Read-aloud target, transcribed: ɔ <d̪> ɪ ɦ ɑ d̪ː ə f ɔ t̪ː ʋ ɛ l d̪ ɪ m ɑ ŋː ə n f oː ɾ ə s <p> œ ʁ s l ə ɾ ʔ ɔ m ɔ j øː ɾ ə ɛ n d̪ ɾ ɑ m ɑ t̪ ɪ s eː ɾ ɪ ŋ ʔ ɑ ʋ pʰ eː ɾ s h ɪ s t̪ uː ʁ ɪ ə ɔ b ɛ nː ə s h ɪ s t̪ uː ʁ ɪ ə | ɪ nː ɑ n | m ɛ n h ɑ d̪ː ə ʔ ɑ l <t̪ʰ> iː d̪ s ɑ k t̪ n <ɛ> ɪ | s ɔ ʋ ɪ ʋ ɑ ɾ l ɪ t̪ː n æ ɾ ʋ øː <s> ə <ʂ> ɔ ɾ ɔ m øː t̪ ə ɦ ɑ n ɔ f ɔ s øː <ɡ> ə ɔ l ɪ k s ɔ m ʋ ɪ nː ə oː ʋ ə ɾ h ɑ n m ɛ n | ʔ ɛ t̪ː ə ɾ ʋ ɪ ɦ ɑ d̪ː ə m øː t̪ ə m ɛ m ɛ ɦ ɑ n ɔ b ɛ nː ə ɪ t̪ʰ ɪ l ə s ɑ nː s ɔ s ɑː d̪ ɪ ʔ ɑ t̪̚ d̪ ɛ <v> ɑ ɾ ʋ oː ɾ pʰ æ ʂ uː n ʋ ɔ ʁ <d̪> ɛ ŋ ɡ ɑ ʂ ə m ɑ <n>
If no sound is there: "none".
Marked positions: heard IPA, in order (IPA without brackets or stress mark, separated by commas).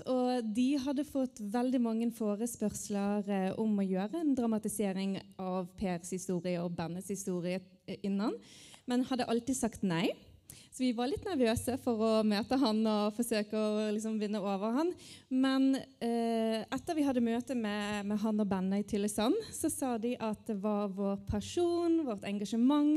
d̪, p, t̪, æ, s, f, k, ʋ, t̪, ŋ